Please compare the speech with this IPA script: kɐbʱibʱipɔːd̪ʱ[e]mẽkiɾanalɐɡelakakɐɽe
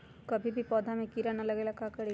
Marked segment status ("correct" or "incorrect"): incorrect